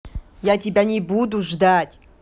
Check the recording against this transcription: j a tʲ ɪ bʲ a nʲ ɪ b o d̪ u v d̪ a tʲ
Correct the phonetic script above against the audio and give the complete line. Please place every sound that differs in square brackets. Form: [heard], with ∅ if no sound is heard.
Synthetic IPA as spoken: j a tʲ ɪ bʲ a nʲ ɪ b [u] d̪ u [ʐ] d̪ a tʲ